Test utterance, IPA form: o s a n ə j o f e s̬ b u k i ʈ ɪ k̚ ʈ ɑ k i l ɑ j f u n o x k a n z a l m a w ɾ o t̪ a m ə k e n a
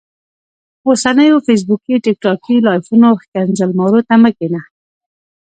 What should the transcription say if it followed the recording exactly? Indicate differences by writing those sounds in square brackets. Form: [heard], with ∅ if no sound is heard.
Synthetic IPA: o s a n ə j o f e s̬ b u k i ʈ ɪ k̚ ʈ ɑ k i l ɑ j f u n o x k a n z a l m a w ɾ o t̪ a m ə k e n a